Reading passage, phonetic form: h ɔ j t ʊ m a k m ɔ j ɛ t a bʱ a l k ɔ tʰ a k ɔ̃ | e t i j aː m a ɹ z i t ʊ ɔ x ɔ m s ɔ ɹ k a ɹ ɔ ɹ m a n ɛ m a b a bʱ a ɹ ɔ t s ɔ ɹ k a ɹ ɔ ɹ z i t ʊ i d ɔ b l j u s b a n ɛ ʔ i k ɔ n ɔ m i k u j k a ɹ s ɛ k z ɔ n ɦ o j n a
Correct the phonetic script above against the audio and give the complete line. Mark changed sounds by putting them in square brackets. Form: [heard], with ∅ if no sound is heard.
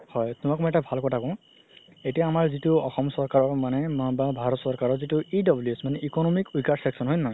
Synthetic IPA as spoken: h ɔ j t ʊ m a k m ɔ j ɛ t a bʱ a l k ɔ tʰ a k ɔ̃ | e t i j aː m a ɹ z i t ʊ ɔ x ɔ m s ɔ ɹ k a ɹ ɔ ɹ m a n ɛ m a b a bʱ a ɹ ɔ t s ɔ ɹ k a ɹ ɔ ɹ z i t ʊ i d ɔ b l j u s [m] a n ɛ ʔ i k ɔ n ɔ m i k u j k a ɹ s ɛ k [s] ɔ n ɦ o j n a